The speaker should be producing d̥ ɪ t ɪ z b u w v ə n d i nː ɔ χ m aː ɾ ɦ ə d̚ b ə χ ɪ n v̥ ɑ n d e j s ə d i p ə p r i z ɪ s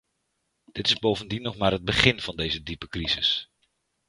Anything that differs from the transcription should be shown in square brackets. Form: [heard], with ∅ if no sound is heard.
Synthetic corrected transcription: d̥ ɪ t ɪ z b [o] w v ə n d i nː ɔ χ m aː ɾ ɦ ə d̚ b ə χ ɪ n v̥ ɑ n d e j [z] ə d i p ə [k] r i z ɪ s

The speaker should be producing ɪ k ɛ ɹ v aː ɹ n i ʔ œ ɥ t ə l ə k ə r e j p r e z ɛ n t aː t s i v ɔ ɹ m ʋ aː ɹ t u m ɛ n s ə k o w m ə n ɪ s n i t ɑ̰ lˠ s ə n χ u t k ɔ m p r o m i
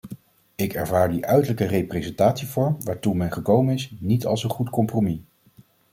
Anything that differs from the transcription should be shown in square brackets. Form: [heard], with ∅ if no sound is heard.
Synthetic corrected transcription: ɪ k ɛ ɹ v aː ɹ [d] i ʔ œ ɥ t ə l ə k ə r e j p r e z ɛ n t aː t s i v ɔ ɹ m ʋ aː ɹ t u m ɛ n [χ] ə k o w m ə n ɪ s n i t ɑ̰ lˠ s ə n χ u t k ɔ m p r o m i

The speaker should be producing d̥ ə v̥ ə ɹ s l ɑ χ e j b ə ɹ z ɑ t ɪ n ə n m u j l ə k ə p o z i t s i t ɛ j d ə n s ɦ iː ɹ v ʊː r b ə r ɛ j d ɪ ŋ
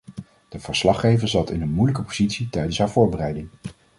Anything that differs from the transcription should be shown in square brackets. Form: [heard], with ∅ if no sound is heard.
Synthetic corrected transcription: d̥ ə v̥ ə ɹ s l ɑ χ e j [v] ə ɹ z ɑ t ɪ n ə n m u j l ə k ə p o z i t s i t ɛ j d ə n s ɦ [aː] ɹ v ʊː [ɹ] b ə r ɛ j d ɪ ŋ

